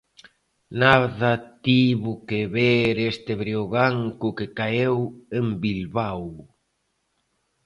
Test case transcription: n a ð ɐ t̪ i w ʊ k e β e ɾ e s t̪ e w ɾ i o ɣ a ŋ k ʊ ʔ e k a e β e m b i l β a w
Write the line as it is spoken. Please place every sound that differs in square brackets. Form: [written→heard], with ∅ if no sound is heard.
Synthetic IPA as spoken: n a ð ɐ t̪ i [w→β] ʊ k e β e ɾ e s t̪ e [w→β] ɾ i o ɣ a ŋ k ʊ [ʔ→k] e k a e [β→w] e m b i l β a w